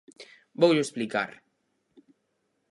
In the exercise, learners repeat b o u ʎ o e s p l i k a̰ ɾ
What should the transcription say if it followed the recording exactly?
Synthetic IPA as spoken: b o w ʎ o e s p l i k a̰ ɾ